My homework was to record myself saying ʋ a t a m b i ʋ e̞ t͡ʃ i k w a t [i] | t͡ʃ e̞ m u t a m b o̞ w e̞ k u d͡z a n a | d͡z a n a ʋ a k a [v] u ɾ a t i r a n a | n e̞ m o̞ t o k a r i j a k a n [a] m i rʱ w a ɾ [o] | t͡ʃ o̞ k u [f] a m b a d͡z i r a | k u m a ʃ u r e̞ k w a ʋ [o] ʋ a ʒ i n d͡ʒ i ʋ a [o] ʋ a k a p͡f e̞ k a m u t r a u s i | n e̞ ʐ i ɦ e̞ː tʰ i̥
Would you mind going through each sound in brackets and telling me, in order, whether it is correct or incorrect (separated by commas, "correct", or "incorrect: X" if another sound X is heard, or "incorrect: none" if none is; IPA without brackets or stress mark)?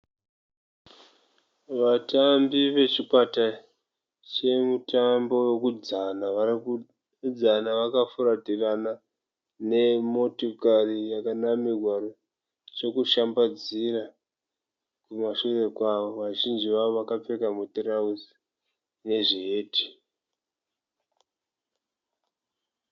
incorrect: a, incorrect: f, correct, correct, incorrect: ʃ, correct, correct